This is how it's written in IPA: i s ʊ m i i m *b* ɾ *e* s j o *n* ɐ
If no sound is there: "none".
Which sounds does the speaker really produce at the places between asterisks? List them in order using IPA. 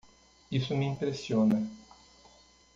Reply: p, e, n

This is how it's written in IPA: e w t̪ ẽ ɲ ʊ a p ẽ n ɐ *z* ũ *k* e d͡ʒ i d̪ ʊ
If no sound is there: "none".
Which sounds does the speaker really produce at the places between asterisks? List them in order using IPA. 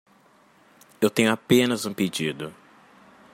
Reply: z, p

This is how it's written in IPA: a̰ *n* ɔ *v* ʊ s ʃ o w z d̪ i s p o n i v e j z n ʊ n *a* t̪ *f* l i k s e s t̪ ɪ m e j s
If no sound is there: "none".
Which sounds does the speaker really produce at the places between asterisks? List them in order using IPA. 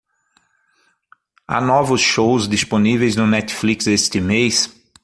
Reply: n, v, ɛ, f

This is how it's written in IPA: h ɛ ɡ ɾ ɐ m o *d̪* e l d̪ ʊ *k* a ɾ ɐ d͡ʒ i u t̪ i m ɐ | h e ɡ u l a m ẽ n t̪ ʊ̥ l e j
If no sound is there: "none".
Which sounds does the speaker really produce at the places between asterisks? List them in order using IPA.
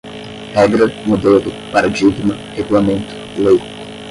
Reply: d̪, p

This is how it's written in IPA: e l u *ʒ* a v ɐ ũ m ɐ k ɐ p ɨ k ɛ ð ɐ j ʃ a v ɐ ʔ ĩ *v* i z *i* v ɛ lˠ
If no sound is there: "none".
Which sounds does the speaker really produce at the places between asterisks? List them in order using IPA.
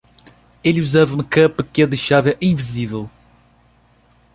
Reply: z, v, i

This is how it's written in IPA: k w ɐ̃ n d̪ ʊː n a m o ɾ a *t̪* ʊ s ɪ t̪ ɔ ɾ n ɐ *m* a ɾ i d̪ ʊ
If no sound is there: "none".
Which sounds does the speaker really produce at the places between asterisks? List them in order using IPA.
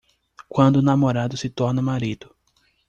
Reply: d̪, m

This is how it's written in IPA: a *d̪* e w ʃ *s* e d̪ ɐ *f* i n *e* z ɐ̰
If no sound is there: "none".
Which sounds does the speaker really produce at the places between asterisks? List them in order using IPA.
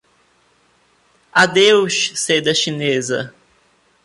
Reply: d̪, s, ʃ, e

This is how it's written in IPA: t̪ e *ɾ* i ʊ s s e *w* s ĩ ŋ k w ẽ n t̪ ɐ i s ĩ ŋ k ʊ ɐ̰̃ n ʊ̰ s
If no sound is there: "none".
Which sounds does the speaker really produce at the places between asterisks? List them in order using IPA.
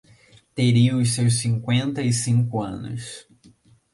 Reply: ɾ, w

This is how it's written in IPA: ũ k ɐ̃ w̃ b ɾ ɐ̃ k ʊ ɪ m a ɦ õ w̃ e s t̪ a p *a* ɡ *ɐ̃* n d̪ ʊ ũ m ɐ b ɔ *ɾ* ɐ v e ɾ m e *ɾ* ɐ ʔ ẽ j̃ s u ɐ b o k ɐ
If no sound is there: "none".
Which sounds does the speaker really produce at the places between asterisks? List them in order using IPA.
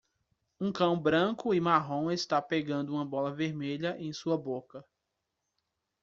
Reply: e, ɐ̃, l, ʎ

